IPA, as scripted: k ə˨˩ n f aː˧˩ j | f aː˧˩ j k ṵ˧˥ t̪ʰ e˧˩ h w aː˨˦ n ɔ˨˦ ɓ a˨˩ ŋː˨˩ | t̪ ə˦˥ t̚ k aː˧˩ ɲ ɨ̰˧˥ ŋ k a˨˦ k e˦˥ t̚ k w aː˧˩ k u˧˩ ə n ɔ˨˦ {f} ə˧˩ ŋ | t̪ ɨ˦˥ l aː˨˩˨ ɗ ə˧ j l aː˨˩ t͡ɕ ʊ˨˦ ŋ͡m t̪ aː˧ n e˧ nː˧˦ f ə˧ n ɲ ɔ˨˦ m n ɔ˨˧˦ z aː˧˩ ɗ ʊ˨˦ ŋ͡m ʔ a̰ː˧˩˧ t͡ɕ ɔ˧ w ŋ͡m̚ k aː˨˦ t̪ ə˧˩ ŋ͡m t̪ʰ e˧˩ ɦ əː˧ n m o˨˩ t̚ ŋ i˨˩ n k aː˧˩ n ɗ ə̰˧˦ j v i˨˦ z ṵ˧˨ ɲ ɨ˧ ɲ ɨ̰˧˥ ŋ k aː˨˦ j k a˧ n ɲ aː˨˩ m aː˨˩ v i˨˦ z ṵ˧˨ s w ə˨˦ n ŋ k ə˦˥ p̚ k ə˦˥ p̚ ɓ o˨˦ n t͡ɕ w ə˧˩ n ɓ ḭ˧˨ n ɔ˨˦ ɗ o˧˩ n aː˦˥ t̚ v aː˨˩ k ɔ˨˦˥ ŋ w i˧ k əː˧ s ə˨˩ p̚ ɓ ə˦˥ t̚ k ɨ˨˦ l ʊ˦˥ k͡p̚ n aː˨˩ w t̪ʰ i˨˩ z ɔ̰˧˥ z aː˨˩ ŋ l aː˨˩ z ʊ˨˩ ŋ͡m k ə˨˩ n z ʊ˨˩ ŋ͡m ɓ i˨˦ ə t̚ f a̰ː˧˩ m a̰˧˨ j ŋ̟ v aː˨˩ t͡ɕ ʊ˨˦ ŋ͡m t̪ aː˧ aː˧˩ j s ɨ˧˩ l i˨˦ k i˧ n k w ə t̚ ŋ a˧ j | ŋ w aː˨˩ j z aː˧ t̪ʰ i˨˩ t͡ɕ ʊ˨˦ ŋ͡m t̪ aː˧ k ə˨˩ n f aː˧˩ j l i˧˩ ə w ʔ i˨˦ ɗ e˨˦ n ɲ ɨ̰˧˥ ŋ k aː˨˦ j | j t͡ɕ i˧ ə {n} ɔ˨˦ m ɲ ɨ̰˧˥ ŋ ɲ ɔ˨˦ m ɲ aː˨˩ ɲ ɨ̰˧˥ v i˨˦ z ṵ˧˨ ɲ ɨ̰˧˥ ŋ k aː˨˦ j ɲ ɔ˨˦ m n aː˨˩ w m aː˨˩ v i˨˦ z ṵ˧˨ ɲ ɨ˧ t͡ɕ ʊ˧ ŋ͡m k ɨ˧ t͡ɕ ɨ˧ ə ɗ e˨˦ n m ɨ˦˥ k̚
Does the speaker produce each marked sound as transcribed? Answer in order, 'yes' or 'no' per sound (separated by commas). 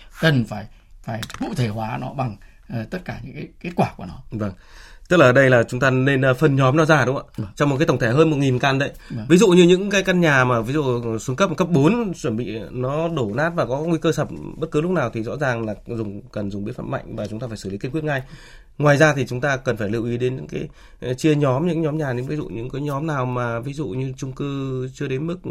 no, no